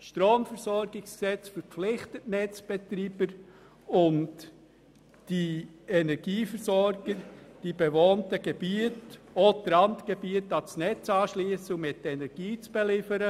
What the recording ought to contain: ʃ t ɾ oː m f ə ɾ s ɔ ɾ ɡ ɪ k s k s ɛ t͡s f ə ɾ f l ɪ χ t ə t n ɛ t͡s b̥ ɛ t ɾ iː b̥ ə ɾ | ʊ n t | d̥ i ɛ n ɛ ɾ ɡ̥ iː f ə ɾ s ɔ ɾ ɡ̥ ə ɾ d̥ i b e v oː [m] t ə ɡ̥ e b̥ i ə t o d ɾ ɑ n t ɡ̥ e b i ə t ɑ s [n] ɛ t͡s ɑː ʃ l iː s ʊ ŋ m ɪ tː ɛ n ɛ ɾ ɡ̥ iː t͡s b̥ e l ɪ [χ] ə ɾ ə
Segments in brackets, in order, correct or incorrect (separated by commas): incorrect, correct, incorrect